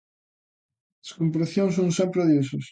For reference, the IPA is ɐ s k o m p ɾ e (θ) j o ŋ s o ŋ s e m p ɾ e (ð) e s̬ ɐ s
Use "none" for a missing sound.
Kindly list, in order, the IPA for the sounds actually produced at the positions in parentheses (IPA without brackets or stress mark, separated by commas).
θ, ð